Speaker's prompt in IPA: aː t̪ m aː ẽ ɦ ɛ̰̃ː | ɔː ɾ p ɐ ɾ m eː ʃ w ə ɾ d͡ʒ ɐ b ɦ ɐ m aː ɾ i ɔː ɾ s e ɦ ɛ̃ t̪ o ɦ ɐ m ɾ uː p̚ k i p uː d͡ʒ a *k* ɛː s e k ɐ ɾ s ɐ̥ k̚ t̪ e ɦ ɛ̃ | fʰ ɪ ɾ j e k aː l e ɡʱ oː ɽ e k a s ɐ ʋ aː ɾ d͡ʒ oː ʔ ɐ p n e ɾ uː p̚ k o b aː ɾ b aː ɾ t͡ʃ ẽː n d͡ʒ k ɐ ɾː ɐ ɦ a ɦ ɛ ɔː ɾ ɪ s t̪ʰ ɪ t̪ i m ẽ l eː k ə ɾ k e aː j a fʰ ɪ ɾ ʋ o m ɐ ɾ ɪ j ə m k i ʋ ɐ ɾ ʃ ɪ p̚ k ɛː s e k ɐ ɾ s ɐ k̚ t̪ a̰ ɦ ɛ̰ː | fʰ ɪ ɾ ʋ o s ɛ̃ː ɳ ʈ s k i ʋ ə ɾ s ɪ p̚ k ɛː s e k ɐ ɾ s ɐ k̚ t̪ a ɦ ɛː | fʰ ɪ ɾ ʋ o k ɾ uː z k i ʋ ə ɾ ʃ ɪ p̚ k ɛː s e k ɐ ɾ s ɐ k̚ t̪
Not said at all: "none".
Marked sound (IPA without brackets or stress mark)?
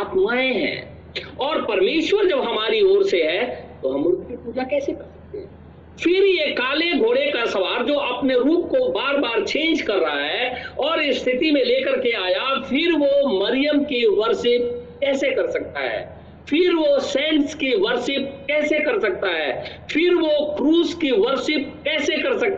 k